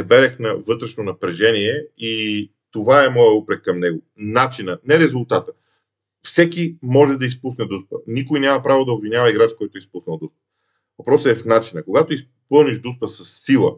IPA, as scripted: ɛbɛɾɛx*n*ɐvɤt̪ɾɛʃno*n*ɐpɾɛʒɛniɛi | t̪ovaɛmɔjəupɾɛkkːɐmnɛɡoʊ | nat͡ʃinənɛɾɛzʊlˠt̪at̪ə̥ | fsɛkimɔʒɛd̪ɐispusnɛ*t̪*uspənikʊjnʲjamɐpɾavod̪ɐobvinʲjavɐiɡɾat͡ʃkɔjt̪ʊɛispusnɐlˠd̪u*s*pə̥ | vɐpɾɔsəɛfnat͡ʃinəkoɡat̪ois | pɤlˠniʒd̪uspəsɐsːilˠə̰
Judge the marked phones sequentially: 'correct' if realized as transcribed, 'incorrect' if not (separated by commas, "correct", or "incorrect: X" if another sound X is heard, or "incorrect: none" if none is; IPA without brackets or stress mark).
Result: correct, correct, incorrect: d̪, correct